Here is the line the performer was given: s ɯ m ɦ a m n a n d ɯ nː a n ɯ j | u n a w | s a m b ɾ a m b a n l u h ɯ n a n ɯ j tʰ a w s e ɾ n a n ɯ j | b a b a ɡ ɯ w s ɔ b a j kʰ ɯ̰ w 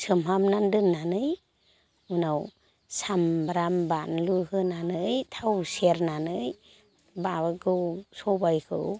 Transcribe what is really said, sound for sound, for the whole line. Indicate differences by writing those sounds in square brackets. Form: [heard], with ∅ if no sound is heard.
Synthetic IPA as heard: s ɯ m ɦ a m n a n d ɯ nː a n ɯ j | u n a w | s a m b ɾ a m b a n l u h ɯ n a n ɯ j tʰ a w s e ɾ n a n ɯ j | b a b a ɡ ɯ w s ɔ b a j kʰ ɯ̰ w